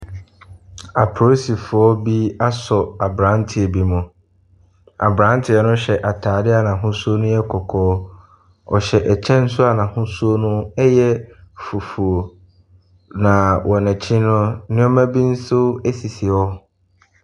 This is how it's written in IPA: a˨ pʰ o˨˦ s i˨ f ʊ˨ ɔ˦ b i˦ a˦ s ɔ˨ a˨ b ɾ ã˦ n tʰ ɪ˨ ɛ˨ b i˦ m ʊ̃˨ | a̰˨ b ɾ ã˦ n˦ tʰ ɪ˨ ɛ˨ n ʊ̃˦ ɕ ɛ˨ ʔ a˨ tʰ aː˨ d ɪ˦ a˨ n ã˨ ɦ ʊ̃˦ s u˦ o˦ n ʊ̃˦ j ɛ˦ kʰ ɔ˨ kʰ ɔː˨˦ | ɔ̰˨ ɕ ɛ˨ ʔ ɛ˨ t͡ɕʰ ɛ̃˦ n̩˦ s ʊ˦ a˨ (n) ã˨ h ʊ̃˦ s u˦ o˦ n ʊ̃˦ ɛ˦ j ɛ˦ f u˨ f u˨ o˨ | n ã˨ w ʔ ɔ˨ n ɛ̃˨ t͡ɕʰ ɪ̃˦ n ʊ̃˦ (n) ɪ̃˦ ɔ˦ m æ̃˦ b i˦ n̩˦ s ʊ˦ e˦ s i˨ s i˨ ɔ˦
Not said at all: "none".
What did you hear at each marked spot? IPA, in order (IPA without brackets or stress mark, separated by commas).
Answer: n, n